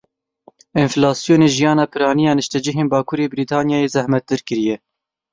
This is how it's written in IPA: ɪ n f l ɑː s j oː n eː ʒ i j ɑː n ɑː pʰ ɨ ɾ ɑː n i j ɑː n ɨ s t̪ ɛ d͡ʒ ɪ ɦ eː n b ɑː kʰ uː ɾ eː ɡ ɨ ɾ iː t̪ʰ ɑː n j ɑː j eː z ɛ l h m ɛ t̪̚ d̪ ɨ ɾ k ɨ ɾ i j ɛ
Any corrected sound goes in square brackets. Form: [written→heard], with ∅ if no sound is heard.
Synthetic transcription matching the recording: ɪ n f l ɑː s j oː n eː ʒ i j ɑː n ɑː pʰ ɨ ɾ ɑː n i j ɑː n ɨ [s→ʃ] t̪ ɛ d͡ʒ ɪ ɦ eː n b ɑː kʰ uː ɾ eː [ɡ→b] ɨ ɾ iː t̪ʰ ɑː n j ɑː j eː z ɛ [l→∅] h m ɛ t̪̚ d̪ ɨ ɾ k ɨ ɾ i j ɛ